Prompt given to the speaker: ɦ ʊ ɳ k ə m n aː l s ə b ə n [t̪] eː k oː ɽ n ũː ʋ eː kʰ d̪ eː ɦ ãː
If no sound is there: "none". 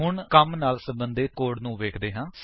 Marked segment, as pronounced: d̪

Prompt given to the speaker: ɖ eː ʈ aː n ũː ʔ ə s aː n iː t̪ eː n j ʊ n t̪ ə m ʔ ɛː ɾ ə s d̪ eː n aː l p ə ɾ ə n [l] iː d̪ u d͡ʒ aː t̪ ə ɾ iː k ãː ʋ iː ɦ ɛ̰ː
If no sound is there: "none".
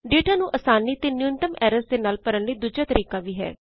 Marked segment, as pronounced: l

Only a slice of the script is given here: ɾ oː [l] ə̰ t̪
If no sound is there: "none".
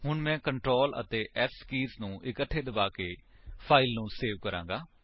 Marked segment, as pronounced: l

